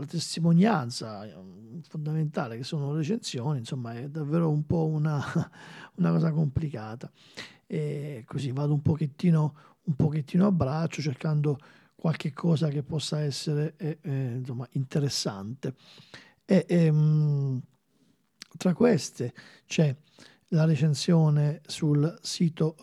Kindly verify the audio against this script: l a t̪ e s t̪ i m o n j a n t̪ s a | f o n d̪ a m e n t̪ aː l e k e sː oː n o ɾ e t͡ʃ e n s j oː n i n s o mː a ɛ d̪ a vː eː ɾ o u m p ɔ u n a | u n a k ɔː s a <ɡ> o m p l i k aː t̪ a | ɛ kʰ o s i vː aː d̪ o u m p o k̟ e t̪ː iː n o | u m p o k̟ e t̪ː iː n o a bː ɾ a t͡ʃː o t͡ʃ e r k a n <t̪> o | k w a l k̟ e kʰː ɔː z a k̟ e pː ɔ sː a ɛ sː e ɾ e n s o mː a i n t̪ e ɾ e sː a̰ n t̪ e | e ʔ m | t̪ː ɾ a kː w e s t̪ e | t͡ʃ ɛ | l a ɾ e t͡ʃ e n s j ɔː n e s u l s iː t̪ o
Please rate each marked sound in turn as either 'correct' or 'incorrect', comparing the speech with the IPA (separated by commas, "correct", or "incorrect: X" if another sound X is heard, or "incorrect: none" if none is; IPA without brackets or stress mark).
incorrect: k, incorrect: d̪